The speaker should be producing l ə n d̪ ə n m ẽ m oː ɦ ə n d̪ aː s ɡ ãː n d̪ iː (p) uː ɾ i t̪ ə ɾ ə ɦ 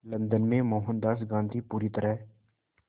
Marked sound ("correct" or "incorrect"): correct